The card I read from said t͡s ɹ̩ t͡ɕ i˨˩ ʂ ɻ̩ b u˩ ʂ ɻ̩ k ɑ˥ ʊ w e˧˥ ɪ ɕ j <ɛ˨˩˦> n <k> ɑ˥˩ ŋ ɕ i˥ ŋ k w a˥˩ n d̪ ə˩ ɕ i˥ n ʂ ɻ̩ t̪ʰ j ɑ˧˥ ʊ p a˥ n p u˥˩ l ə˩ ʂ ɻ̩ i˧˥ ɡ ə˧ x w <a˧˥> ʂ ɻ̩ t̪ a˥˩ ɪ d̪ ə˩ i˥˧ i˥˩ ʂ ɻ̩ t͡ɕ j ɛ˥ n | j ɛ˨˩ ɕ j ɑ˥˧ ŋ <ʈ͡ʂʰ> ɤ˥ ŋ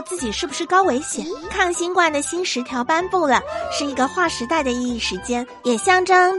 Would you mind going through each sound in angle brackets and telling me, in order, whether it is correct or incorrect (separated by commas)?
correct, incorrect, incorrect, incorrect